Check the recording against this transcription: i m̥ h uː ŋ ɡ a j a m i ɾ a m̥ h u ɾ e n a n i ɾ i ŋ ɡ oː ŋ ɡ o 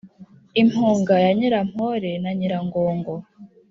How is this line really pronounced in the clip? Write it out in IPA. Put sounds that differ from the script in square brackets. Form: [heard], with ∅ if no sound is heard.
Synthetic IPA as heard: i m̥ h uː ŋ ɡ a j a [ɲ] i ɾ a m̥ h [o] ɾ e n a [ɲ] i ɾ [a] ŋ ɡ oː ŋ ɡ o